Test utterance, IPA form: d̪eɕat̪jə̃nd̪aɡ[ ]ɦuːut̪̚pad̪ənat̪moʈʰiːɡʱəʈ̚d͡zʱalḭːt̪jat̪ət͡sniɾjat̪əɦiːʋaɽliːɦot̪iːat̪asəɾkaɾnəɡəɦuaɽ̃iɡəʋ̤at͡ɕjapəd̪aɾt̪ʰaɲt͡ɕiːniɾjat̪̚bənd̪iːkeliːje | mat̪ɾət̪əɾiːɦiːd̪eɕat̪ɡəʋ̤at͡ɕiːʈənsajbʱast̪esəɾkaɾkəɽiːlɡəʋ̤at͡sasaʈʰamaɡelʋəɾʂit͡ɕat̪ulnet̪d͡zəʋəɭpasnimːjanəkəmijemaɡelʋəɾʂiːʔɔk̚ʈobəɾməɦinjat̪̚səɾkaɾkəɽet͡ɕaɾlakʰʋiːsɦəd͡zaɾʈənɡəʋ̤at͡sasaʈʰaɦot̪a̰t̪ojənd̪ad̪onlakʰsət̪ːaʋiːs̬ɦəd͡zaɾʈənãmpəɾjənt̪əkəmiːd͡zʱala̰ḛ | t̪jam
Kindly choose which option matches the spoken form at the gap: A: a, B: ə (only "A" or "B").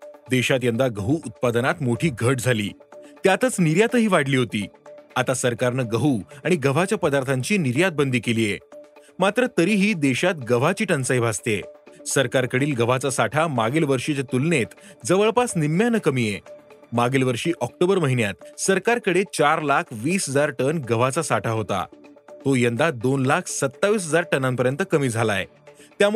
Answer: B